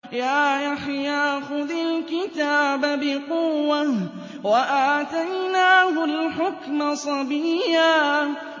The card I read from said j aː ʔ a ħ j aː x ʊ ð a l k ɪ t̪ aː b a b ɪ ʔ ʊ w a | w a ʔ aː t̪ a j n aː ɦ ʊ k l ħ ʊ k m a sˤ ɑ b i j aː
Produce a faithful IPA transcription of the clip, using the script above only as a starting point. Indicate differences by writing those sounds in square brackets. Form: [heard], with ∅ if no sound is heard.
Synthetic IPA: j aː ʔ a ħ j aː x ʊ ð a l k ɪ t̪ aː b a b ɪ [q] ʊ [wː] a | w a ʔ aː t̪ a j n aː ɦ ʊ [∅] l ħ ʊ k m a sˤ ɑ b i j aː